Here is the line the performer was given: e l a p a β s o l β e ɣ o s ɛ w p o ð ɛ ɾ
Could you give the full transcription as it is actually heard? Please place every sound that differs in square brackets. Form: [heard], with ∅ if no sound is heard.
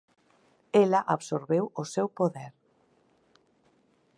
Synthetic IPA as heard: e l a [ʔ] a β s o [ɾ] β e [w] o s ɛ w p o ð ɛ ɾ